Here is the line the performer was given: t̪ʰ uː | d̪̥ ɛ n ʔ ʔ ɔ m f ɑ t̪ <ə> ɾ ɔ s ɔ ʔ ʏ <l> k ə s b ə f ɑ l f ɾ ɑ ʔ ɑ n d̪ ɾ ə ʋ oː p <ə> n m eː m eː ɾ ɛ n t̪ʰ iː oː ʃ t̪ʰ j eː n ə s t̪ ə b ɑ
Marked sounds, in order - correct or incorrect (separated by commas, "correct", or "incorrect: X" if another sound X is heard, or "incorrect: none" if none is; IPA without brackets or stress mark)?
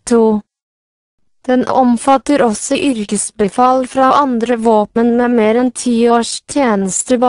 correct, incorrect: ɾ, correct